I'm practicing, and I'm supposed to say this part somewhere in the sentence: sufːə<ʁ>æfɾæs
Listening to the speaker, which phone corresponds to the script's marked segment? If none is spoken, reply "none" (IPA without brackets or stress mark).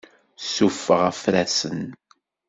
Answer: ʁ